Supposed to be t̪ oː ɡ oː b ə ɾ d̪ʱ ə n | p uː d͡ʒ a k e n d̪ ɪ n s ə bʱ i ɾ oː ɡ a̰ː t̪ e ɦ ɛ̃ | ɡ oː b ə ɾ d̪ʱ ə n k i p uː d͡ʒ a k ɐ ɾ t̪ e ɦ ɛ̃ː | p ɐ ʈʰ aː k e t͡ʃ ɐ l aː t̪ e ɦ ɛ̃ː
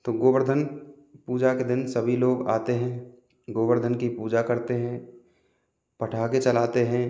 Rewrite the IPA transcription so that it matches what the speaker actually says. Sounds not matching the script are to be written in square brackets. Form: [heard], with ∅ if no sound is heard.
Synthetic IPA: t̪ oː ɡ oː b ə ɾ d̪ʱ ə n | p uː d͡ʒ a k e [∅] d̪ ɪ n s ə bʱ i [l] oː ɡ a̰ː t̪ e ɦ ɛ̃ | ɡ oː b ə ɾ d̪ʱ ə n k i p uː d͡ʒ a k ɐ ɾ t̪ e ɦ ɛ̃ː | p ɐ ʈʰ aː k e t͡ʃ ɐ l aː t̪ e ɦ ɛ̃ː